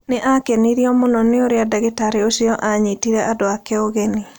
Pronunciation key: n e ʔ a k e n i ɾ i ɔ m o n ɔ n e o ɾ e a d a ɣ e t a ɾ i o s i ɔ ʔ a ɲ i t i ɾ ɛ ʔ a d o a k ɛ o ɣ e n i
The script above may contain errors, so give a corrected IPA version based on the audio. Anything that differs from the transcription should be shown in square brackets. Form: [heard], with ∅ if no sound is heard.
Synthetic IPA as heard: n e ʔ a k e n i ɾ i ɔ m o n ɔ n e o ɾ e a d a ɣ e t a ɾ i o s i ɔ ʔ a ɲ i t i ɾ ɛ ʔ a d o a k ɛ o ɣ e n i

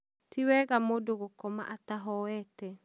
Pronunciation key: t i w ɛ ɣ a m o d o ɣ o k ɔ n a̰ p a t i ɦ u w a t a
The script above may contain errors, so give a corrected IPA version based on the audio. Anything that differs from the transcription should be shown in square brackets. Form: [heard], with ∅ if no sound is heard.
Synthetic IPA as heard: t i w ɛ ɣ a m o d o ɣ o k ɔ [m] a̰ [ʔ] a t [a] ɦ [ɔ] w [ɛ] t [ɛ]

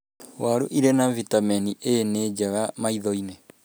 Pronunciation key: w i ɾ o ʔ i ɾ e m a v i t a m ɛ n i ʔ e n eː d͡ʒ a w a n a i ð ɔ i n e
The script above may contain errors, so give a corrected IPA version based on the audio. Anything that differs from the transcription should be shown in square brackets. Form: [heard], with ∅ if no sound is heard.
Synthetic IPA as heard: w [a] ɾ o ʔ i ɾ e [n] a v i t a m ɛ n i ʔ e n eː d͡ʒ a [ɣ] a [m] a i ð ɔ i n e

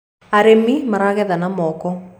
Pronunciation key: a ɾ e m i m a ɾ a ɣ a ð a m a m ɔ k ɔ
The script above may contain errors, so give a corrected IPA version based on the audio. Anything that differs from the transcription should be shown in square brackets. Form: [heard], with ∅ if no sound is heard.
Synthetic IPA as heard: a ɾ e m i m a ɾ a ɣ [ɛ] ð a [n] a m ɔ k ɔ

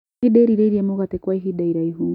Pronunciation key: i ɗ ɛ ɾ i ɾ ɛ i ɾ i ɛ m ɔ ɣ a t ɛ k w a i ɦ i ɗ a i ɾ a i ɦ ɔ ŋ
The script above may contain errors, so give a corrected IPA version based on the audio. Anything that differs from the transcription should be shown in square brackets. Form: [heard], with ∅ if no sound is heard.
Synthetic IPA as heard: i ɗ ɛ ɾ i ɾ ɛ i ɾ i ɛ m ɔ ɣ a t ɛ k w a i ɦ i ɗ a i ɾ a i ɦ [u] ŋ

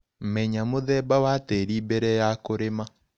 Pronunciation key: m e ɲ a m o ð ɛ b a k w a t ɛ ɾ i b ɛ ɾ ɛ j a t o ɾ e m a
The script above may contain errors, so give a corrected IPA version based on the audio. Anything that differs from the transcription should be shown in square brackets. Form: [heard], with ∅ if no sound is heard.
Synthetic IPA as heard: m [ɛ] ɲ a m o ð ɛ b a [∅] w a t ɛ ɾ i b ɛ ɾ ɛ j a [k] o ɾ e m a

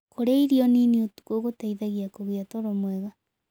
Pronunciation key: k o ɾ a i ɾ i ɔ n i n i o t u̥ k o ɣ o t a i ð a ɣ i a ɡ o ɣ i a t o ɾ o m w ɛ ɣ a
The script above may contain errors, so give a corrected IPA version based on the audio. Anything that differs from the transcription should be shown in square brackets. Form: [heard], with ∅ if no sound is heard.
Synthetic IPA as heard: k o ɾ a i ɾ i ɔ n i n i o t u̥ k o ɣ o t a i ð a ɣ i a [k] o ɣ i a t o ɾ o m w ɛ ɣ a

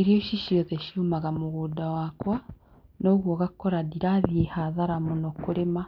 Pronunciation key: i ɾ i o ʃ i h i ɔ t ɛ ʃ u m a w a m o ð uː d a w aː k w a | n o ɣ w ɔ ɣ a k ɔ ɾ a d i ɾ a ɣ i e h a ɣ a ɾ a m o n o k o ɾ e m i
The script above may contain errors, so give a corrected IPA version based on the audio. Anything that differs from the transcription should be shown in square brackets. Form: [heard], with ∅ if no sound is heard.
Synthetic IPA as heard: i ɾ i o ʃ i [ʃ] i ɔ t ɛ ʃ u m a [ɣ] a m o [ɣ] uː d a w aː k w a | n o ɣ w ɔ ɣ a k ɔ ɾ a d i ɾ a [ð] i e h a [ð] a ɾ a m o n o k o ɾ e m [a]

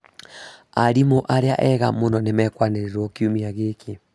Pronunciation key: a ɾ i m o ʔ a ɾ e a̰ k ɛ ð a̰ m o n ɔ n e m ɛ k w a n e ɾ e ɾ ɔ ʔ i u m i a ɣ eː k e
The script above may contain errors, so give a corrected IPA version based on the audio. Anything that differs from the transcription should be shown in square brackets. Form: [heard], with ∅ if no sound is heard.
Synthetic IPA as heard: a ɾ i m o ʔ a ɾ e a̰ [ʔ] ɛ [ɣ] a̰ m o n ɔ n e m ɛ k w a n e ɾ e ɾ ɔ [k] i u m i a ɣ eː k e

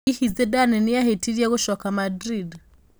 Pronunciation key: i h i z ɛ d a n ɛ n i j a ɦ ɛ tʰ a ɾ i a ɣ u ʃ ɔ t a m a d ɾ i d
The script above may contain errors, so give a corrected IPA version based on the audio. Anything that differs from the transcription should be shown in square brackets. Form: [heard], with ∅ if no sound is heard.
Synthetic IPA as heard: i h i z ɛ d a n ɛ n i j a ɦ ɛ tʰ [i] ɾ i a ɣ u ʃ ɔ [k] a m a d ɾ i d

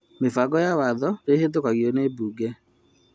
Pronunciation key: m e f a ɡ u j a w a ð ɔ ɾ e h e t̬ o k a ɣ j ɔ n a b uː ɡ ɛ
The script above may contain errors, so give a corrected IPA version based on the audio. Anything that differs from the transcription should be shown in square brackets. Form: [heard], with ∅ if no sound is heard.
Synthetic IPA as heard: m e f a ɡ [ɔ] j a w a ð ɔ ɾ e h e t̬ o k a ɣ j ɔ n [e] b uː ɡ ɛ

